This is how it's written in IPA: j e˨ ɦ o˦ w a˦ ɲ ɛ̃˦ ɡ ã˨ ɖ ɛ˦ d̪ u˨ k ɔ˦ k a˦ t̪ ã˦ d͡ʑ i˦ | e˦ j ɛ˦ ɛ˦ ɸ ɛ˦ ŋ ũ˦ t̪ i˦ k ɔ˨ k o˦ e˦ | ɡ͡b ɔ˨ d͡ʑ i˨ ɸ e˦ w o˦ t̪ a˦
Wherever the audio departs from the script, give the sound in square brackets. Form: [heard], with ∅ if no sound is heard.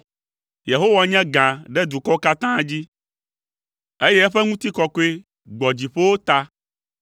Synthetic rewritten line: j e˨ ɦ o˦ w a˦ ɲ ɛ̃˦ ɡ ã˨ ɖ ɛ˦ d̪ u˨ k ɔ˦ k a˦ t̪ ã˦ d͡ʑ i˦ | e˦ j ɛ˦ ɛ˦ ɸ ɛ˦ ŋ ũ˦ t̪ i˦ k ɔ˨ k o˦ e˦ | ɡ͡b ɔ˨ d͡ʑ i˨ ɸ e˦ w o˦ t̪ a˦